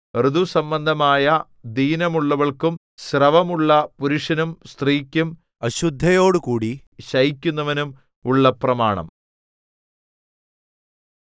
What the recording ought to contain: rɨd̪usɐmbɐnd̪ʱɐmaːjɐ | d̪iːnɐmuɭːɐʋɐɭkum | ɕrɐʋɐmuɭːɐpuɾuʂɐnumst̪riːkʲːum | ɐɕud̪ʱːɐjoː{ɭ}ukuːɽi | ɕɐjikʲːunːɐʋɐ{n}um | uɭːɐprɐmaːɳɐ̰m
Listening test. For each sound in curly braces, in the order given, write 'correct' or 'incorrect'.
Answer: incorrect: ɽ, correct

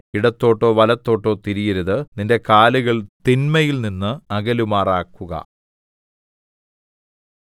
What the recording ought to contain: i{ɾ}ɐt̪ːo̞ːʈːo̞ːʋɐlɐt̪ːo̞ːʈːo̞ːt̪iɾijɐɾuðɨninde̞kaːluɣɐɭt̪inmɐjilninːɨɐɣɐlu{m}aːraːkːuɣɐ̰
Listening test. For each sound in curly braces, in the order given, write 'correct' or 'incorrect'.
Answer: incorrect: ɽ, correct

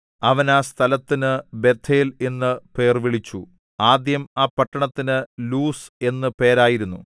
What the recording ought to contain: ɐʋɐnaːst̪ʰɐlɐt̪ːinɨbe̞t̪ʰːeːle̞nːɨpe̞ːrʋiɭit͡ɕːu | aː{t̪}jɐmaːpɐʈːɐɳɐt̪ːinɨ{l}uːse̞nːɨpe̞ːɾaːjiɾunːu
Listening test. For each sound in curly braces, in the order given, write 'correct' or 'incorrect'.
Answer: incorrect: d̪, correct

